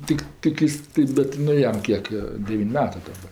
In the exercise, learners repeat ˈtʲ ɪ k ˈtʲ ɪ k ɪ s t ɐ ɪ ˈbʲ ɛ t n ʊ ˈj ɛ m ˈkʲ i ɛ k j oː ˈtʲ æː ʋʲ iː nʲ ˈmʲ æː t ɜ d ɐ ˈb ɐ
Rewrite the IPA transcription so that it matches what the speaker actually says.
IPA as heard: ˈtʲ ɪ k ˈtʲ ɪ k ɪ s t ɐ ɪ ˈbʲ ɛ t n ʊ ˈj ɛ m ˈkʲ i ɛ k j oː ˈdʲ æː ʋʲ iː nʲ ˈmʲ æː t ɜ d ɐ ˈb ɐ